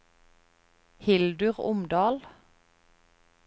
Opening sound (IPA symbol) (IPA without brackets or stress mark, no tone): h